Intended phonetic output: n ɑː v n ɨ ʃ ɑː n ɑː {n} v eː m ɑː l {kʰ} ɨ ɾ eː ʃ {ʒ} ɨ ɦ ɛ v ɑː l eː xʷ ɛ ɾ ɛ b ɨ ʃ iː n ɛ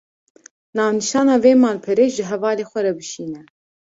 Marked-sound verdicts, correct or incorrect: incorrect: none, incorrect: pʰ, correct

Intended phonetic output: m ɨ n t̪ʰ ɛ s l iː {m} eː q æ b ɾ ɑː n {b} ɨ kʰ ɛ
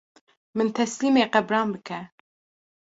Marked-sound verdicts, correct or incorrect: correct, correct

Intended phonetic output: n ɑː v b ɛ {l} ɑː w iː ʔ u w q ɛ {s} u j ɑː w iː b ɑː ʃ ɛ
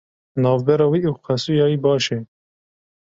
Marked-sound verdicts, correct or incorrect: incorrect: ɾ, correct

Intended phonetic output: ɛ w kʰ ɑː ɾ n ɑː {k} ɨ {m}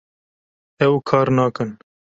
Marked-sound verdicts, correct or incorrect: correct, incorrect: n

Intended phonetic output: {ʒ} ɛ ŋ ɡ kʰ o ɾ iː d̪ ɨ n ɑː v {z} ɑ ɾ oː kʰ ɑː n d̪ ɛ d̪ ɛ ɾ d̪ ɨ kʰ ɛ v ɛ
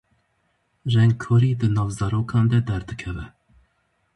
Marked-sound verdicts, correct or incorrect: correct, correct

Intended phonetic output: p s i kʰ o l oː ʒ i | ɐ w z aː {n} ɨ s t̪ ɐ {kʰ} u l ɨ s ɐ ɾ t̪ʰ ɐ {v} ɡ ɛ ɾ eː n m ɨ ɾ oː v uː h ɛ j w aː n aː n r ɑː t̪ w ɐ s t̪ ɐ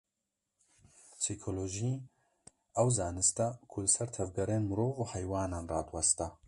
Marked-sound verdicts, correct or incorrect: correct, correct, correct

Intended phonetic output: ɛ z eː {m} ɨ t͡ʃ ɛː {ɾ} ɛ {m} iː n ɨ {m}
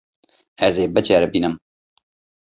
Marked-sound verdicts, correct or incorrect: incorrect: b, correct, incorrect: b, correct

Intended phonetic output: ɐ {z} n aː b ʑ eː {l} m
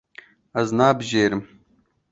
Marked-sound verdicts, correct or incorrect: correct, incorrect: ɾ

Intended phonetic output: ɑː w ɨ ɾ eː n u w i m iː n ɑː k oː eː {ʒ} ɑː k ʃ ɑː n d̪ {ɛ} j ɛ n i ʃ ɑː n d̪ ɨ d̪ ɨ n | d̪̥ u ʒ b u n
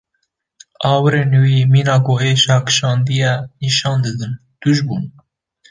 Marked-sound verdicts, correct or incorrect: incorrect: ʃ, incorrect: i

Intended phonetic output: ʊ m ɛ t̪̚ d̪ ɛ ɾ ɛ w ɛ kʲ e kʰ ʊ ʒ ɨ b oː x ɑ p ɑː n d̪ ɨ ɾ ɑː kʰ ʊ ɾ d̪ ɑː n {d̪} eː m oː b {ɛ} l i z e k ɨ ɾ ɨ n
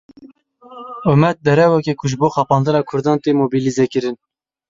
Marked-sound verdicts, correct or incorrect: incorrect: t̪, incorrect: i

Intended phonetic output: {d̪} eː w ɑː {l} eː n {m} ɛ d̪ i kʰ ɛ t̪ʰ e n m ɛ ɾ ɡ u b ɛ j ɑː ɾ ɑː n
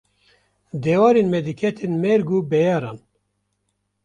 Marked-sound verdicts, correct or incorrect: correct, incorrect: ɾ, correct

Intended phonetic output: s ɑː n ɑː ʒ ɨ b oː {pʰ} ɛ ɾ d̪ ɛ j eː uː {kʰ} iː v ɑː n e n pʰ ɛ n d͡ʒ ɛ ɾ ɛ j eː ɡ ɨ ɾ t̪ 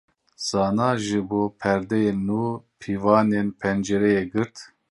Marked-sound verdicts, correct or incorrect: correct, incorrect: pʰ

